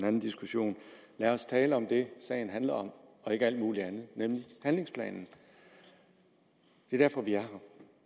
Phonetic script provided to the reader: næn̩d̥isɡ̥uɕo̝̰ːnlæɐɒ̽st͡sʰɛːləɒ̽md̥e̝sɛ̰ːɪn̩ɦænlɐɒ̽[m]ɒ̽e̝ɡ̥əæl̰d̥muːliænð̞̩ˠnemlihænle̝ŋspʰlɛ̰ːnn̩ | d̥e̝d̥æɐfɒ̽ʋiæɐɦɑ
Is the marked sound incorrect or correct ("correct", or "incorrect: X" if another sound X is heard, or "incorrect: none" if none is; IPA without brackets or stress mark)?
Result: correct